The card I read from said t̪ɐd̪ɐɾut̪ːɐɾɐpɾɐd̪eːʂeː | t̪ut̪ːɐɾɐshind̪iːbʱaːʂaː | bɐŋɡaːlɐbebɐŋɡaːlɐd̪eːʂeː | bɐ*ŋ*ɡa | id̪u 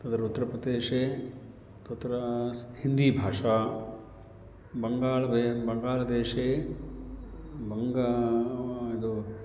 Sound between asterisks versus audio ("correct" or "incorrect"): correct